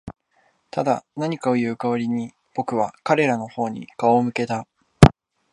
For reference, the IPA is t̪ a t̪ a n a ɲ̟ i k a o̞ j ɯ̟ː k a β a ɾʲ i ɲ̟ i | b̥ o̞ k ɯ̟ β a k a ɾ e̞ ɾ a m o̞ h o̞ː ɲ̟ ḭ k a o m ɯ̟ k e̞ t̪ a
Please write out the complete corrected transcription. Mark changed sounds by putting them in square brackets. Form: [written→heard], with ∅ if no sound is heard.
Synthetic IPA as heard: t̪ a [t̪→d̪] a n a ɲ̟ i k a o̞ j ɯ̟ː k a β a ɾʲ i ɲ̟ i | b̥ o̞ k ɯ̟ β a k a ɾ e̞ ɾ a [m→n] o̞ h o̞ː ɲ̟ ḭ k a o m ɯ̟ k e̞ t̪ a